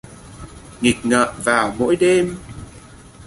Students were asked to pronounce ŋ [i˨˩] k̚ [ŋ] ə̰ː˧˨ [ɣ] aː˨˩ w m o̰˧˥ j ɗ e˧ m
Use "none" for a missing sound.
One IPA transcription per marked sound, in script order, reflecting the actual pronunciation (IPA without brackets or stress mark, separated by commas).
i˨˩, ŋ, v